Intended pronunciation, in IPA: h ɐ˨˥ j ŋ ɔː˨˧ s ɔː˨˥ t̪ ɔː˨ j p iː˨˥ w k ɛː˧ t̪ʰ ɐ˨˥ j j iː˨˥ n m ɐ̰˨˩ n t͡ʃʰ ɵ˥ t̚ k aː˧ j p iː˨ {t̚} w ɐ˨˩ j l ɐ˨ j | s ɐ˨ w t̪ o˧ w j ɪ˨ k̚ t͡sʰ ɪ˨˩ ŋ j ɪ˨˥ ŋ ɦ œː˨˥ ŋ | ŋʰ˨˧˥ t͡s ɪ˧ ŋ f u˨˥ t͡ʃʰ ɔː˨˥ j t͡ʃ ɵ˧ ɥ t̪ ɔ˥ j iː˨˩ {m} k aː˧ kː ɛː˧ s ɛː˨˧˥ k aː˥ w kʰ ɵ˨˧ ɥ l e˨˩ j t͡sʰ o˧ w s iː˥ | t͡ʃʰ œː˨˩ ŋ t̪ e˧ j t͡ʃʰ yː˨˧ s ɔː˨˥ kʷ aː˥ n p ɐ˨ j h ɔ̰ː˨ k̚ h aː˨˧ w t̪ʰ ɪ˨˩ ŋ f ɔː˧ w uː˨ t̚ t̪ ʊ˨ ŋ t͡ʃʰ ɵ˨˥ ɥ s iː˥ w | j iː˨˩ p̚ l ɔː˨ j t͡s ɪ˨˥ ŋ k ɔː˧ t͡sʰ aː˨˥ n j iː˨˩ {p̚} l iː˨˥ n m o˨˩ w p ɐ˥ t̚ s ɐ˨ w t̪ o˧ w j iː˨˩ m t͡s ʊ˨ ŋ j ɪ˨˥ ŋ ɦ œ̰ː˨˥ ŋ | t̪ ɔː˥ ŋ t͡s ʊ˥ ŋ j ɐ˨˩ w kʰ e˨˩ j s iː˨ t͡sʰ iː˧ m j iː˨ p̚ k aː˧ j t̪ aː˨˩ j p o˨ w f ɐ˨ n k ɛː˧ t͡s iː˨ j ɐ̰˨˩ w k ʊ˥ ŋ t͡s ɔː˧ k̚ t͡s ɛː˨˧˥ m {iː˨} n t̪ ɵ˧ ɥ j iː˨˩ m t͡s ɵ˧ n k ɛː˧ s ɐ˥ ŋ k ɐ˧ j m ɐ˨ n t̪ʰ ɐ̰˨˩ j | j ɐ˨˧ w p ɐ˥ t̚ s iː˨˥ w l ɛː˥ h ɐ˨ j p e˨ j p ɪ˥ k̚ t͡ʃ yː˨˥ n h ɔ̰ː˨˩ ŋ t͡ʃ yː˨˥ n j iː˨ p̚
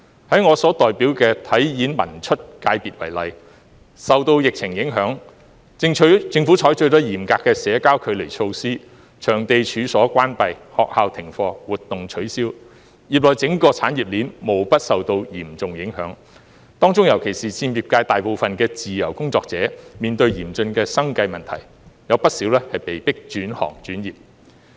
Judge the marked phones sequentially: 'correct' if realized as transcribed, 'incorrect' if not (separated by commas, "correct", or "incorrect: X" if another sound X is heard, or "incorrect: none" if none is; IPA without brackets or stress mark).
correct, correct, correct, correct